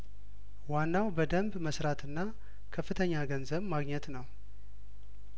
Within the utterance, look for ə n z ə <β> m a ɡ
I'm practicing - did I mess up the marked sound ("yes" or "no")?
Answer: no